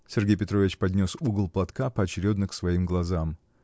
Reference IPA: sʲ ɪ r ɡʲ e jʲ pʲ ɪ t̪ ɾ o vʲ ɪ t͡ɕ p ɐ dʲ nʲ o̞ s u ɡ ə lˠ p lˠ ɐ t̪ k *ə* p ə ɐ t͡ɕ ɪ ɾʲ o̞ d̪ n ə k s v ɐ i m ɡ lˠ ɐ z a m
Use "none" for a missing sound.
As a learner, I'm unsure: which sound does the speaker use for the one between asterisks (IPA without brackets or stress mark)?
a